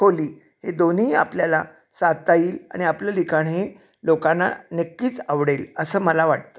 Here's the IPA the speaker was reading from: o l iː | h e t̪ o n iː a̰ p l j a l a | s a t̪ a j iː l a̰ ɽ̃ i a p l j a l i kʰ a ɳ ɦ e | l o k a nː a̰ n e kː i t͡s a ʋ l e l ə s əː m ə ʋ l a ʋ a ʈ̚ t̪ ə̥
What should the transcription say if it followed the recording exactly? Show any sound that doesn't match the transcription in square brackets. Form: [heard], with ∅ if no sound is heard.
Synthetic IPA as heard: o l iː | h e [d̪] o n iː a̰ p l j a l a | s a t̪ a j iː l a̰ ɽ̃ i a p l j a l i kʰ a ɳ ɦ e | l o k a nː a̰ n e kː [iː] t͡s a ʋ [ɽ] e l ə s əː m ə [∅] l a ʋ a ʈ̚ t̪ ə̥